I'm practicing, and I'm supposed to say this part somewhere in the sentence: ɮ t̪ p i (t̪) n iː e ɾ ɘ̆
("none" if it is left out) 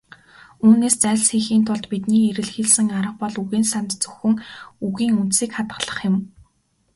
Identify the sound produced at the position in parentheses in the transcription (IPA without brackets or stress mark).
t̪